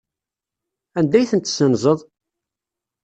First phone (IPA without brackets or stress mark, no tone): æ